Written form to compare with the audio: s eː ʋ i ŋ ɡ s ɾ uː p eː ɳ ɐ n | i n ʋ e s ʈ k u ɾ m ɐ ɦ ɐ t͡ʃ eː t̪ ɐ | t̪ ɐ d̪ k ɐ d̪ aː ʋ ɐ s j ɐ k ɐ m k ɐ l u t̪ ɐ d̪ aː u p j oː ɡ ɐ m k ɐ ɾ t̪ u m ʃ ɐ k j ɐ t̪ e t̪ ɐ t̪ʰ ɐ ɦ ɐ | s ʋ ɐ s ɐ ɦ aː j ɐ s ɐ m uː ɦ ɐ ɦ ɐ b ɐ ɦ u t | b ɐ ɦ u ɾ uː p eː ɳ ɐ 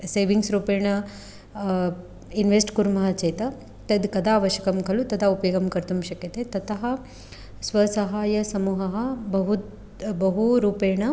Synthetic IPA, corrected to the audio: s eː ʋ i ŋ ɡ s ɾ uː p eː ɳ ɐ | i n ʋ e s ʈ k u ɾ m ɐ ɦ ɐ t͡ʃ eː t̪ ɐ | t̪ ɐ d̪ k ɐ d̪ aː ʋ ɐ ʃ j ɐ k ɐ m k ɐ l u t̪ ɐ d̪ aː u p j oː ɡ ɐ m k ɐ ɾ t̪ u m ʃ ɐ k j ɐ t̪ e t̪ ɐ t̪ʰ ɐ ɦ ɐ | s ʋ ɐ s ɐ ɦ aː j ɐ s ɐ m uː ɦ ɐ ɦ ɐ b ɐ ɦ u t | b ɐ ɦ u ɾ uː p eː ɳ ɐ